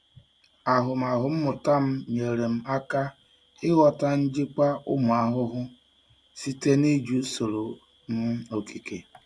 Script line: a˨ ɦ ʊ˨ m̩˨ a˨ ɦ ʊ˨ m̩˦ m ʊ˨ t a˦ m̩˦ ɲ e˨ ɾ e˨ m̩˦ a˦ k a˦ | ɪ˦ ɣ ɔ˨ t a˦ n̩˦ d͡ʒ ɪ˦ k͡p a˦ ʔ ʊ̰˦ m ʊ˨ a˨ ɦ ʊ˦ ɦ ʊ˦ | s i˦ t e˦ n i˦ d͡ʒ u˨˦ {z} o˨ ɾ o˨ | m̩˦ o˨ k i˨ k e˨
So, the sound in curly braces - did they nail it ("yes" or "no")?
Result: no